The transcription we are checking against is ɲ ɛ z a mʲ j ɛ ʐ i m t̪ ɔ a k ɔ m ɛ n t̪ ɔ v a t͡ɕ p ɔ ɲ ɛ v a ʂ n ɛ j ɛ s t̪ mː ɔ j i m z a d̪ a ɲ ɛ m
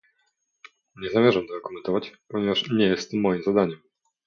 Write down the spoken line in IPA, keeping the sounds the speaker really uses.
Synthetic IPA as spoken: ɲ ɛ z a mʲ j ɛ ʐ a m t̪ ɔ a k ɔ m ɛ n t̪ ɔ v a t͡ɕ p ɔ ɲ ɛ v a ʂ ɲ ɛ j ɛ s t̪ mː ɔ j i m z a d̪ a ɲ ɛ m